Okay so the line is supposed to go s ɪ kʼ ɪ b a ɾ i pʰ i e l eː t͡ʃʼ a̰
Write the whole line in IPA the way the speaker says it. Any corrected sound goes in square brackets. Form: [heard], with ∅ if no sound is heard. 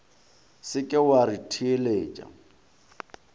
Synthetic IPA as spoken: s ɪ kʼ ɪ [w] a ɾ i [tʰ] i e l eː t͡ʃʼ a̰